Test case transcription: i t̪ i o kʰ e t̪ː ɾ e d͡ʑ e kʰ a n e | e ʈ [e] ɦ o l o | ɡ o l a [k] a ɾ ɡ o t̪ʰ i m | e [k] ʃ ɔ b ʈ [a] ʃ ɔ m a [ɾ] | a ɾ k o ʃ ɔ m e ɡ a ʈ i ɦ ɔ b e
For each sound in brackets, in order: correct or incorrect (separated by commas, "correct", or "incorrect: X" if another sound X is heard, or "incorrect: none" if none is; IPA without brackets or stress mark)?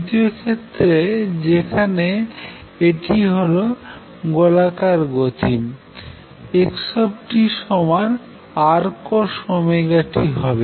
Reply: incorrect: i, correct, correct, incorrect: i, correct